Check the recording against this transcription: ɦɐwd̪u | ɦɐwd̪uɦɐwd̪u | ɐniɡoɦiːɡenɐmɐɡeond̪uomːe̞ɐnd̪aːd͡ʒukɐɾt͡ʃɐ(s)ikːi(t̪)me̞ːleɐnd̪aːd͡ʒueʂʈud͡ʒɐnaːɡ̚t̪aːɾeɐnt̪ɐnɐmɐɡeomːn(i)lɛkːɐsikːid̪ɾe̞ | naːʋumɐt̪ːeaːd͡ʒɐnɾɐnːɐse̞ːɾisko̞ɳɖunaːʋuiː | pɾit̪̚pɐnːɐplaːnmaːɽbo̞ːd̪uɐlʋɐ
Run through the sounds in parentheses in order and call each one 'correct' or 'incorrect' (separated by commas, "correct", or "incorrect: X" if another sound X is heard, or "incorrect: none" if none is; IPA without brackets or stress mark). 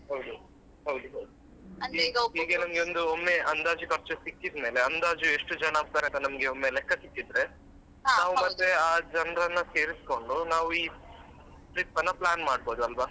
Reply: correct, incorrect: d̪, incorrect: e